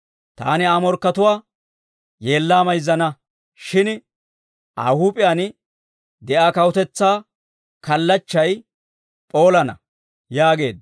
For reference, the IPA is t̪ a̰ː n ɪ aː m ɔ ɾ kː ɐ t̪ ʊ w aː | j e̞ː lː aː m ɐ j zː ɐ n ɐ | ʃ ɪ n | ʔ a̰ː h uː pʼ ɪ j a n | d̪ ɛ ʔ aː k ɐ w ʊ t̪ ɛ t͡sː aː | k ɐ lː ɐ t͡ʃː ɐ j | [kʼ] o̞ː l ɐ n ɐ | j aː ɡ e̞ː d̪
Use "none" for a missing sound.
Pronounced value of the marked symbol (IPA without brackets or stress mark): pʼ